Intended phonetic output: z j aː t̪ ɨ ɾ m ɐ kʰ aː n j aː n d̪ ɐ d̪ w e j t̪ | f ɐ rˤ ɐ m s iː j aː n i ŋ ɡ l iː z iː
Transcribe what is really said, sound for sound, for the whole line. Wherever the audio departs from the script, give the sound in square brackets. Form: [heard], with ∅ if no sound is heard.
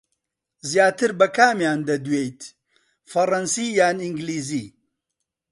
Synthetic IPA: z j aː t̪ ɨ ɾ [b] ɐ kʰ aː [m] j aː n d̪ ɐ d̪ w e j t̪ | f ɐ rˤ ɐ [n] s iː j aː n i ŋ ɡ l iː z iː